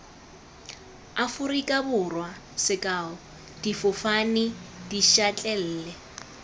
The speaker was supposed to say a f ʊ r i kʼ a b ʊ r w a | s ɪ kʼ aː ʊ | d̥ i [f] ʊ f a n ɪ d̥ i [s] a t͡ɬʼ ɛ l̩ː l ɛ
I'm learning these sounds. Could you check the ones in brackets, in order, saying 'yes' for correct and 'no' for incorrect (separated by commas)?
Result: yes, no